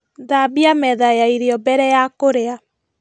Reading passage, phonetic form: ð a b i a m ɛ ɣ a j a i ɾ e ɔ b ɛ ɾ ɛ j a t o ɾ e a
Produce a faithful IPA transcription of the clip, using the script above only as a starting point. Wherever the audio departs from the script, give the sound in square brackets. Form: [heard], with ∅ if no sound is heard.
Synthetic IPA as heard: ð a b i a m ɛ [ð] a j a i ɾ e ɔ b ɛ ɾ ɛ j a [k] o ɾ e a